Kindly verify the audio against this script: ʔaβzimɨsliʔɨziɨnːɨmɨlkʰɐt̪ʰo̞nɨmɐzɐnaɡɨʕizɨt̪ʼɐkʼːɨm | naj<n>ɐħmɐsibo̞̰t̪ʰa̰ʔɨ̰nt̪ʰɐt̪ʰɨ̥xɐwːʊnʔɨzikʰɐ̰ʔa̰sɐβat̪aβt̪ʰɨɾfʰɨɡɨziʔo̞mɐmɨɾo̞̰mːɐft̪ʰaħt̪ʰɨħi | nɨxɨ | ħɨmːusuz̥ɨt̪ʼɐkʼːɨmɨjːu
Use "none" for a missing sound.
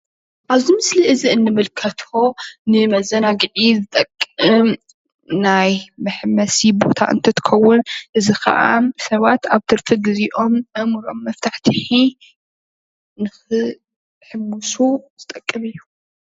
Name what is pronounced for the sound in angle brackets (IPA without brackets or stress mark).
m